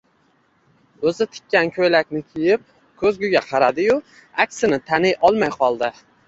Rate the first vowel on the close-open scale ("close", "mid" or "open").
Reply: mid